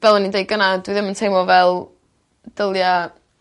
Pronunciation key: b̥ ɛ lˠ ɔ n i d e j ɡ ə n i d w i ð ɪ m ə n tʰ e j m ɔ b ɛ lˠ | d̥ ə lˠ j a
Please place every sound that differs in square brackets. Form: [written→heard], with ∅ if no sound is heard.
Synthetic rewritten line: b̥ ɛ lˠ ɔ n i d e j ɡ ə n [i→a] d w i ð ɪ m ə n tʰ e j m ɔ [b→v] ɛ lˠ | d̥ ə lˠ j a